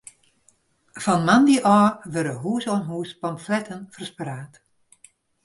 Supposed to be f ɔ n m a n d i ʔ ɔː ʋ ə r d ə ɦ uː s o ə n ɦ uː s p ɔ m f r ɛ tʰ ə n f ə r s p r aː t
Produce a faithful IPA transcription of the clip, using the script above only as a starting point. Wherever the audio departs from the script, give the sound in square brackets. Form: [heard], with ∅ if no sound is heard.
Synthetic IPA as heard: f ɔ n m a n d i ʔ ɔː ʋ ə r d ə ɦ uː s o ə n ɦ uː s p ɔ m f [l] ɛ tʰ ə n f ə r s p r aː t